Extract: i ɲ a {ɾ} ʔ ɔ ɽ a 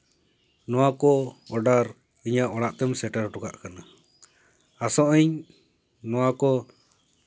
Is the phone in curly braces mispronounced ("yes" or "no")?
yes